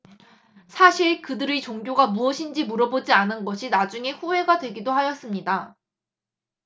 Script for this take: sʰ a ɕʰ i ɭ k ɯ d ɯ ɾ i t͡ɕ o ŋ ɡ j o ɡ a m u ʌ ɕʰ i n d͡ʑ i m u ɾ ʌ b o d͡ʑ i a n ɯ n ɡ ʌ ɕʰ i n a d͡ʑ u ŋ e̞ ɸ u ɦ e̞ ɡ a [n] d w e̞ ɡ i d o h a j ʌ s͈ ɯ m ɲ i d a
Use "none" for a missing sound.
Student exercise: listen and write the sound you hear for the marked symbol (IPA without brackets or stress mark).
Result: none